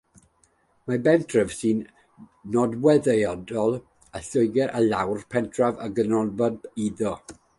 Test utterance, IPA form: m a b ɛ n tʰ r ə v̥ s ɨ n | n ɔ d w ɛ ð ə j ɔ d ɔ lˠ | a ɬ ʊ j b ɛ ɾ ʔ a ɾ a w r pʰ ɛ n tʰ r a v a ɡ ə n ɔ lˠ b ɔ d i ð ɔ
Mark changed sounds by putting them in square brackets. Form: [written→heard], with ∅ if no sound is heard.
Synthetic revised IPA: m a b ɛ n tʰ r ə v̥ s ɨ n | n ɔ d w ɛ ð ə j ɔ d ɔ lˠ | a ɬ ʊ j [b→ɡ] ɛ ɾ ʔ a [ɾ→l] a w r pʰ ɛ n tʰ r a v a ɡ ə n ɔ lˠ b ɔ d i ð ɔ